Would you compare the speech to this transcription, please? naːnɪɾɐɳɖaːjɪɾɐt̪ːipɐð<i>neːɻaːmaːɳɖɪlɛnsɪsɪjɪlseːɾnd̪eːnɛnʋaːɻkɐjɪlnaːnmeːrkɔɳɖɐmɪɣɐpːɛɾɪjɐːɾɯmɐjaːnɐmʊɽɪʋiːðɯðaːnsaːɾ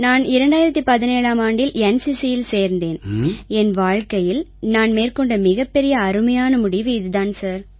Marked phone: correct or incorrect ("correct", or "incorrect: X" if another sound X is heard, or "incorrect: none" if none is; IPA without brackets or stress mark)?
incorrect: ɪ